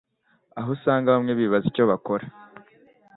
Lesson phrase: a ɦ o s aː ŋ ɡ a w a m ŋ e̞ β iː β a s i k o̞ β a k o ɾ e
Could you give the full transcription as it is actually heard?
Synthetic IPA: a ɦ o s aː ŋ ɡ a β a m ŋ e̞ β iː β a z i c o̞ β a k o ɾ a